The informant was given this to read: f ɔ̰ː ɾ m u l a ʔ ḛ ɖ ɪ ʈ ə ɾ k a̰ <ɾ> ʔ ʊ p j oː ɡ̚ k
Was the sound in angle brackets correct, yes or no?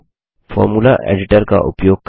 no